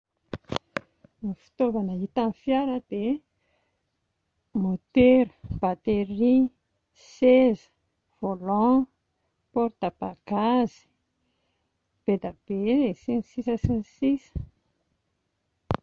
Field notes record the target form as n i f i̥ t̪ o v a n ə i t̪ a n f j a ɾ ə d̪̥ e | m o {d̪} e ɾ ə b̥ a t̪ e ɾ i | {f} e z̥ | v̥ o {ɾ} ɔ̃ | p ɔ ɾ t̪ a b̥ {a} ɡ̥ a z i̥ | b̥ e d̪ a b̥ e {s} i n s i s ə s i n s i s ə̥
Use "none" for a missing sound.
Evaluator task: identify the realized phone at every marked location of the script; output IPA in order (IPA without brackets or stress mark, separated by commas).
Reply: t̪, s, l, a, s